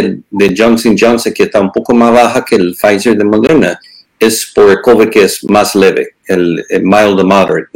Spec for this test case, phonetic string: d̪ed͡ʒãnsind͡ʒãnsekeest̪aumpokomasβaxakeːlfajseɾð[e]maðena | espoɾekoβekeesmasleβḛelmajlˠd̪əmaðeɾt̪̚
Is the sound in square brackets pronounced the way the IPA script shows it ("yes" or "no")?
yes